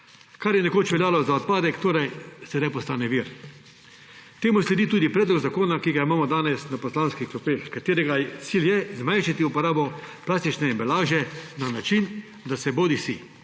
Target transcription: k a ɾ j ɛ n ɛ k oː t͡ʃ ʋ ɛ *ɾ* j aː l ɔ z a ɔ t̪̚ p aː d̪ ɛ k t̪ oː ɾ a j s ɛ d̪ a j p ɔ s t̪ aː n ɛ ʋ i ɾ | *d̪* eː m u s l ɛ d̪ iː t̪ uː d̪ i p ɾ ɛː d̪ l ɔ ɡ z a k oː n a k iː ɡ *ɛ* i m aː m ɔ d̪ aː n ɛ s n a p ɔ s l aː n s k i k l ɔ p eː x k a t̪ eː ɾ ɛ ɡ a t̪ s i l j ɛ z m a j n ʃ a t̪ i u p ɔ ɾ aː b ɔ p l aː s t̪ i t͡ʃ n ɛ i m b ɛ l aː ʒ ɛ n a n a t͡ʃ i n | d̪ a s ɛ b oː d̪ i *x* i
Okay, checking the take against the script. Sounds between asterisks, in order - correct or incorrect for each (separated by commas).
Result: incorrect, incorrect, incorrect, incorrect